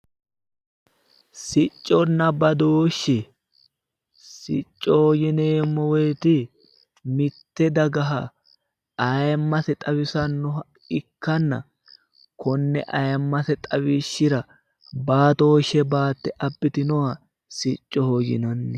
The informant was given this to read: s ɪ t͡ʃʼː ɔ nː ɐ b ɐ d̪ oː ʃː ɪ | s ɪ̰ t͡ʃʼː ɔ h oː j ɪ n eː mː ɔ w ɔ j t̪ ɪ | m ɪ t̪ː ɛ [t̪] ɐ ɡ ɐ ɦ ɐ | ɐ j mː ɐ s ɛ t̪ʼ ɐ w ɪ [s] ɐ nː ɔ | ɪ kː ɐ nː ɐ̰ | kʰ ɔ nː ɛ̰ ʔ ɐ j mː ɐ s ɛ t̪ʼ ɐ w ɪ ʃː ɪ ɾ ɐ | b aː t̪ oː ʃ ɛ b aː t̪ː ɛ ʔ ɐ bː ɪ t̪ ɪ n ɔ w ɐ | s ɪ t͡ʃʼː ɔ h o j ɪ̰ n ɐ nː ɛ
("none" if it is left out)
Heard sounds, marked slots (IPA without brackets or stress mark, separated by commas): d̪, s